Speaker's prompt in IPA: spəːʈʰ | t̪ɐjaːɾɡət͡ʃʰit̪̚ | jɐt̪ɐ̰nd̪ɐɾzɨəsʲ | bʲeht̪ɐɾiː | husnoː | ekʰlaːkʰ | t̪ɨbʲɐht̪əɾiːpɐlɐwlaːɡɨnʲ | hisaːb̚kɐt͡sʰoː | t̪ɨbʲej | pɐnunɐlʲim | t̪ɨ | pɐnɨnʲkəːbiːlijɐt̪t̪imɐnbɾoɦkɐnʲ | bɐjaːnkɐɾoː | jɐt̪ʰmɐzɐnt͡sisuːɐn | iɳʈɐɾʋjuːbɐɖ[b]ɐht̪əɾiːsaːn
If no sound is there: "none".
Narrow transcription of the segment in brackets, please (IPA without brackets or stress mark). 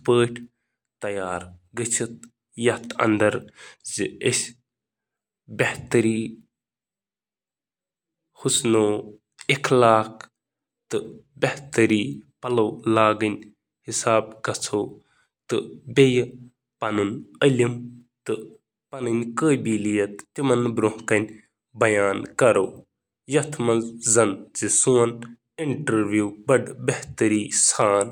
b